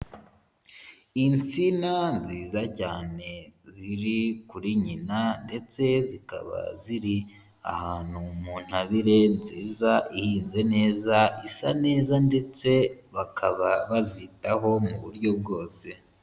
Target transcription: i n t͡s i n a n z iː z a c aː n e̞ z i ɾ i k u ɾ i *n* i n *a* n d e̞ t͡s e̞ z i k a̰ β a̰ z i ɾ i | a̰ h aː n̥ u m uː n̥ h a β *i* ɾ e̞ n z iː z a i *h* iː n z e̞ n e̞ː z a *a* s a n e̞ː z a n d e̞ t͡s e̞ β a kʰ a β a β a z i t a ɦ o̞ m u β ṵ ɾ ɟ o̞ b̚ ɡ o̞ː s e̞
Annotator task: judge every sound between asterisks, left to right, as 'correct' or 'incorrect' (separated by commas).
incorrect, correct, correct, correct, incorrect